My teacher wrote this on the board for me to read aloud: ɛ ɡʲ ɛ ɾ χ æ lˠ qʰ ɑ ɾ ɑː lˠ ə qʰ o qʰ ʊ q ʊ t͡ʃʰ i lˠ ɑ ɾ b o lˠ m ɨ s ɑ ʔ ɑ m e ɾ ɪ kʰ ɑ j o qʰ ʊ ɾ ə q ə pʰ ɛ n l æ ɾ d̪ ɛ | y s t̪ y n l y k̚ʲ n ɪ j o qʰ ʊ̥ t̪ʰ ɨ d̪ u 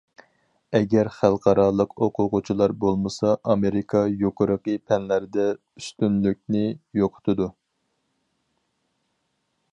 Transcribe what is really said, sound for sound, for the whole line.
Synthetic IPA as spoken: ɛ ɡʲ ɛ ɾ χ æ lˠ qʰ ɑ ɾ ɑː lˠ ə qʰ o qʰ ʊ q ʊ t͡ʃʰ i lˠ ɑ ɾ b o lˠ m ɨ s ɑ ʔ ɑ m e ɾ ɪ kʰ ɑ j o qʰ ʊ ɾ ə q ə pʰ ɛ n l æ ɾ d̪ ɛ | y s t̪ y n l y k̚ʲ n ɪ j o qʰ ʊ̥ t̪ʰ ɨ d̪ u

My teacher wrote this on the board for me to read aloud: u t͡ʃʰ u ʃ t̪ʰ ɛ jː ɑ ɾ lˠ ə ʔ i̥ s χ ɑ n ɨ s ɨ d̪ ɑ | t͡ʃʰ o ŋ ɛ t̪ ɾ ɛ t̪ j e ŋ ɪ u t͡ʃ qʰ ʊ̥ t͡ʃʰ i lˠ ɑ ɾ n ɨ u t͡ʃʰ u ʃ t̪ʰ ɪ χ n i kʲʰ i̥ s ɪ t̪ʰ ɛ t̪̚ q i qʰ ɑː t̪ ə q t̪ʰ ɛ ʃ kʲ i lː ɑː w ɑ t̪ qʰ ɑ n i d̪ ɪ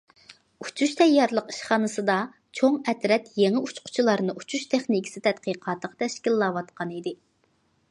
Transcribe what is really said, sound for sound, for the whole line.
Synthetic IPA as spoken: u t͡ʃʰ u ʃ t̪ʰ ɛ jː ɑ ɾ lˠ ə q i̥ ʃ χ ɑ n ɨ s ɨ d̪ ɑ | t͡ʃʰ o ŋ ɛ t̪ ɾ ɛ t̪ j e ŋ ɪ u t͡ʃ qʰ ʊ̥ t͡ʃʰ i lˠ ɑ ɾ n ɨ u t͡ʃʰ u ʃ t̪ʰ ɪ χ n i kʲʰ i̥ s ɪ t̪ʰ ɛ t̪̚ q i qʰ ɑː t̪ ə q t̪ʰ ɛ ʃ kʲ i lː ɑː w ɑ t̪ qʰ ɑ n i d̪ ɪ

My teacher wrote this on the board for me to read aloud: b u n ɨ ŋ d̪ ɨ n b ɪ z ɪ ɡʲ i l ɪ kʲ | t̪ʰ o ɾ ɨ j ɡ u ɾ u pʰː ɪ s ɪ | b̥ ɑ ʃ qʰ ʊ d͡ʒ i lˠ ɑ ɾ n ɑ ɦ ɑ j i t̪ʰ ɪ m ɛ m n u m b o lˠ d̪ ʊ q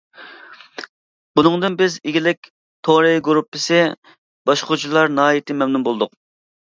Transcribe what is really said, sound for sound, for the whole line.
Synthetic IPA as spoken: b u n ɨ ŋ d̪ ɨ n b ɪ z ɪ ɡʲ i l ɪ kʲ | t̪ʰ o ɾ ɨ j ɡ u ɾ u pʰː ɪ s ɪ | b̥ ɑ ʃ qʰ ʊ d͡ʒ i lˠ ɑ ɾ n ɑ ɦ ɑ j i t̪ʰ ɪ m ɛ m n u m b o lˠ d̪ ʊ q

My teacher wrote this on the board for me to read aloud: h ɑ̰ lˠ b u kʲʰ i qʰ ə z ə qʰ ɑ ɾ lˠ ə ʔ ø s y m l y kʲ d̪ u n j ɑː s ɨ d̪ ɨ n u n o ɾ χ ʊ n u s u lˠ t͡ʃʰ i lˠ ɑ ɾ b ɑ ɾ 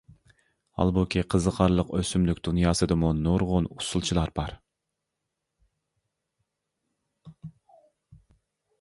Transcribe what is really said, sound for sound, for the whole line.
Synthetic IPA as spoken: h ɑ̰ lˠ b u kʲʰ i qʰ ə z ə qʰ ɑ ɾ lˠ ə q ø s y m l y kʲ d̪ u n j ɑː s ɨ d̪ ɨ m u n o ɾ ʁ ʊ n u s u lˠ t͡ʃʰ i lˠ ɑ ɾ b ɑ ɾ

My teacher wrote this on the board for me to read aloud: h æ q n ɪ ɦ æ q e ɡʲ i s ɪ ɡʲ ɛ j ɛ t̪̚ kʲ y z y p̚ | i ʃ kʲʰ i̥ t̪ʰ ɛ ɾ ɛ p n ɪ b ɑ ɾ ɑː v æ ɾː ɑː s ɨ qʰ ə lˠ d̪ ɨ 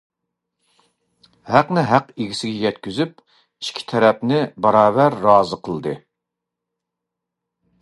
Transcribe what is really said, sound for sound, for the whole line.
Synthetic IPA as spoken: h æ q n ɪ ɦ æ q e ɡʲ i s ɪ ɡʲ ɛ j ɛ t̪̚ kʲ y z y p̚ | i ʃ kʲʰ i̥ t̪ʰ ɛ ɾ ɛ p n ɪ b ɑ ɾ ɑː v æ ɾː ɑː z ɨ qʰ ə lˠ d̪ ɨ

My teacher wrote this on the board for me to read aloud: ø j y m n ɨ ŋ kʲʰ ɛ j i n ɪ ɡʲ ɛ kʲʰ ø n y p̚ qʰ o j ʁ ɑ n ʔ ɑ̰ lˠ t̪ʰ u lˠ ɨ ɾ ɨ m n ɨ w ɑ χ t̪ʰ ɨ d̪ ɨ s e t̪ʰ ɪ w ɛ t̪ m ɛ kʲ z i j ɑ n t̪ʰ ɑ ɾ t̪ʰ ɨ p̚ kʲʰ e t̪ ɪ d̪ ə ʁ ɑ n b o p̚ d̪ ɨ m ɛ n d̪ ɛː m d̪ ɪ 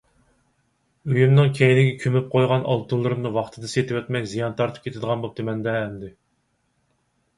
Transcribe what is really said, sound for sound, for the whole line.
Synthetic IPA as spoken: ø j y m n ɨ ŋ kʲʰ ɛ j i n ɪ ɡʲ ɛ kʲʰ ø m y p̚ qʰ o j ʁ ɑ n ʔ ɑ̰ lˠ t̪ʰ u lˠ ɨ ɾ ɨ m n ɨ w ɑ χ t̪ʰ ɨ d̪ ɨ s e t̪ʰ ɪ w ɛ t̪ m ɛ kʲ z i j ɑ n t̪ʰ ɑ ɾ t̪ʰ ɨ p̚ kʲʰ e t̪ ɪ d̪ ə ʁ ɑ n b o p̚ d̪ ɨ m ɛ n d̪ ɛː m d̪ ɪ

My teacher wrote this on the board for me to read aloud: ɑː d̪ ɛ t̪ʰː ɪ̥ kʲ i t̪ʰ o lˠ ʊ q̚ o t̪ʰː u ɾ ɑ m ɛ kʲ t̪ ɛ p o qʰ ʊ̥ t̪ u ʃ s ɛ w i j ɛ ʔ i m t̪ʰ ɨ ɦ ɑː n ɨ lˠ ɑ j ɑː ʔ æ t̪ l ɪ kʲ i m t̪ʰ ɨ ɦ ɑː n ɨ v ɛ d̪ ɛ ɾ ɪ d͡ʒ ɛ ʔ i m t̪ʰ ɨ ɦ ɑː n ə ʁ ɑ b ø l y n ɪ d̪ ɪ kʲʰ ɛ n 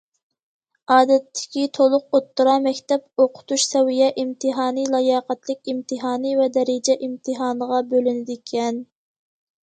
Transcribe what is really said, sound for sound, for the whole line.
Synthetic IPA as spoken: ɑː d̪ ɛ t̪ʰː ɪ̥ kʲ i t̪ʰ o lˠ ʊ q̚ o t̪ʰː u ɾ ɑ m ɛ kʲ t̪ ɛ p o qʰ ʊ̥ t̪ u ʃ s ɛ w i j ɛ ʔ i m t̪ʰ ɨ ɦ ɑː n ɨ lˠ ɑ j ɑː q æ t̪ l ɪ kʲ i m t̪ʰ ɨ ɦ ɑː n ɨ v ɛ d̪ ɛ ɾ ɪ d͡ʒ ɛ ʔ i m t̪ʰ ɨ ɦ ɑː n ə ʁ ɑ b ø l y n ɪ d̪ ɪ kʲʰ ɛ n

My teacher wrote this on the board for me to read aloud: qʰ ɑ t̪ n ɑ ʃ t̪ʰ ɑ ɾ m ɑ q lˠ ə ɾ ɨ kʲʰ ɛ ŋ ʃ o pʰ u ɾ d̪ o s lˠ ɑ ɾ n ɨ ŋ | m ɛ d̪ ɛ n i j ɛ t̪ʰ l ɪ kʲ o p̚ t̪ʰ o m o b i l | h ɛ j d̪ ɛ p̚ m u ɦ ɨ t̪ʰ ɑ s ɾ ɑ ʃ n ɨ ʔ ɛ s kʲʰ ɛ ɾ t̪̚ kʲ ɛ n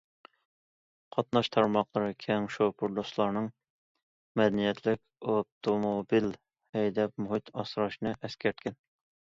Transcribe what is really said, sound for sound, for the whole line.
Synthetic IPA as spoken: qʰ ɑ t̪ n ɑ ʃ t̪ʰ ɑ ɾ m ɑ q lˠ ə ɾ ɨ kʲʰ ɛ ŋ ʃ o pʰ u ɾ d̪ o s lˠ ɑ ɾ n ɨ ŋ | m ɛ d̪ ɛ n i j ɛ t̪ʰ l ɪ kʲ o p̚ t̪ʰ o m o b i l | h ɛ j d̪ ɛ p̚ m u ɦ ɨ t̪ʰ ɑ s ɾ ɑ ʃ n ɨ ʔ ɛ s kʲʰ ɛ ɾ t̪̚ kʲ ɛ n

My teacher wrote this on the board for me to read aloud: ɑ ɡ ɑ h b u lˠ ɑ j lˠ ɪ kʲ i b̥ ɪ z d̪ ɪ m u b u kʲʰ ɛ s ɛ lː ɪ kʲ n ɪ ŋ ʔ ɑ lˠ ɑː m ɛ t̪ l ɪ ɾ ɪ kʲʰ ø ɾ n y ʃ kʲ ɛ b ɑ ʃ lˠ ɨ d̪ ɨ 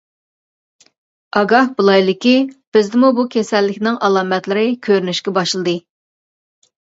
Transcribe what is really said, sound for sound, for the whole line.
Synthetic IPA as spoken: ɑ ɡ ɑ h b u lˠ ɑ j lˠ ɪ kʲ i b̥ ɪ z d̪ ɪ m u b u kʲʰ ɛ s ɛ lː ɪ kʲ n ɪ ŋ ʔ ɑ lˠ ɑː m ɛ t̪ l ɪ ɾ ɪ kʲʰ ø ɾ n y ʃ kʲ ɛ b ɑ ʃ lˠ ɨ d̪ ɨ

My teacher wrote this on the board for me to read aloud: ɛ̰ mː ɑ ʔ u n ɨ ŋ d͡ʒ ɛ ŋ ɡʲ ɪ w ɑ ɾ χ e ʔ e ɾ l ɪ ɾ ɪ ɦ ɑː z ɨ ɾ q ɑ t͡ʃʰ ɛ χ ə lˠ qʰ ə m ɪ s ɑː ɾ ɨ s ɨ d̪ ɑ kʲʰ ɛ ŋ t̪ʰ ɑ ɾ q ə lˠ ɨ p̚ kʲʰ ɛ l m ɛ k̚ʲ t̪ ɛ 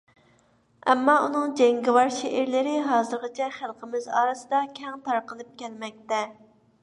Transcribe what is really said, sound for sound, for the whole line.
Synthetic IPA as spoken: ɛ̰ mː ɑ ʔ u n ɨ ŋ d͡ʒ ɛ ŋ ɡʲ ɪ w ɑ ɾ ʃ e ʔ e ɾ l ɪ ɾ ɪ ɦ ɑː z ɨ ɾ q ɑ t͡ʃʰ ɛ χ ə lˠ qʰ ə m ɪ z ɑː ɾ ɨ s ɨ d̪ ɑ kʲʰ ɛ ŋ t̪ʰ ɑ ɾ q ə lˠ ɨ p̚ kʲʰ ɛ l m ɛ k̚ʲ t̪ ɛ

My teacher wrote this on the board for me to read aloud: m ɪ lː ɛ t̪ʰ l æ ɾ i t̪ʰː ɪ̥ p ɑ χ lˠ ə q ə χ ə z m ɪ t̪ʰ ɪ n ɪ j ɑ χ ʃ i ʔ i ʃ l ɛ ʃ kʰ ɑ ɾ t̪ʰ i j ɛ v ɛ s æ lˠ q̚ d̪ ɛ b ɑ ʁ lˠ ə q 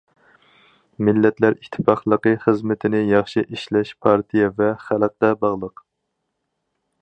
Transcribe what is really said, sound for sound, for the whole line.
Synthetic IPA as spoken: m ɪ lː ɛ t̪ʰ l æ ɾ i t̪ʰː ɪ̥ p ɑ χ lˠ ə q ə χ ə z m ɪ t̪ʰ ɪ n ɪ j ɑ χ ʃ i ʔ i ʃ l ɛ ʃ pʰ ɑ ɾ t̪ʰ i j ɛ v ɛ χ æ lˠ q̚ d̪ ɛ b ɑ ʁ lˠ ə q

